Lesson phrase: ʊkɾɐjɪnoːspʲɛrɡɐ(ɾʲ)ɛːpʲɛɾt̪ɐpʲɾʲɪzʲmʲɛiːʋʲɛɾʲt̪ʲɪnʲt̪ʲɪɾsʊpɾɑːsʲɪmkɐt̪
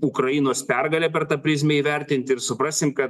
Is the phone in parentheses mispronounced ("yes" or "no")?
yes